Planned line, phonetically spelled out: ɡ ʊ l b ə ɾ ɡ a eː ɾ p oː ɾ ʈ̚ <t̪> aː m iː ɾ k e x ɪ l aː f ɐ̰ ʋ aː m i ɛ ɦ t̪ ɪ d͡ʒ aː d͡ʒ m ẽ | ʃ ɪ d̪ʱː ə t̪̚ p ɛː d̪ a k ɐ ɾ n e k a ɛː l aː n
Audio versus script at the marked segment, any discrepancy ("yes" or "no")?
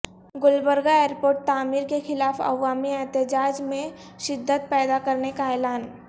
no